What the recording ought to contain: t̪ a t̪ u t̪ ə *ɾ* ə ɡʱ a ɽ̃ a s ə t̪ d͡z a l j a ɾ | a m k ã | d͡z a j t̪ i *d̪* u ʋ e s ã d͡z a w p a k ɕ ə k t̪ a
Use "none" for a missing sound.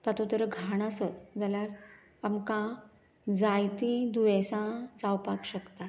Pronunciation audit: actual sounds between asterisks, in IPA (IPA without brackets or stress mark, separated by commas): ɾ, d̪